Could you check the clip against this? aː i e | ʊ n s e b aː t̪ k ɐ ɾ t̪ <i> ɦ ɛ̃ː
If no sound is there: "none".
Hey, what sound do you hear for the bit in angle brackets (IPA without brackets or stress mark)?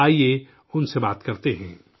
e